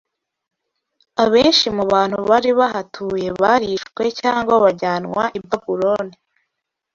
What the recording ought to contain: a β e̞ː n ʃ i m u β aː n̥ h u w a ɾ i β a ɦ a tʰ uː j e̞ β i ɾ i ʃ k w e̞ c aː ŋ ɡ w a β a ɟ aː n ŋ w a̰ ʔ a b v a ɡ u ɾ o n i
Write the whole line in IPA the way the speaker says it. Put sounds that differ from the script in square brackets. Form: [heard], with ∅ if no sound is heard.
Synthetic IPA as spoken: a β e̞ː n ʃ i m u β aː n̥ h u [β] a ɾ i β a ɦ a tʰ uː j e̞ β [a] ɾ i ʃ k w e̞ c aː ŋ ɡ w a β a ɟ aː n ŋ w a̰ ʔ [i] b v a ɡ u ɾ o n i